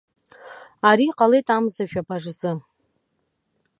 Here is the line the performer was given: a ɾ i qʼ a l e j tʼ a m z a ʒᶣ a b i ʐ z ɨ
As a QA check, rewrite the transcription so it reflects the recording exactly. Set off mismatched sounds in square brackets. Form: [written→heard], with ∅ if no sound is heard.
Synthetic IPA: a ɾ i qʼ a l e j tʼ a m z a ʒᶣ a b [i→a] ʐ z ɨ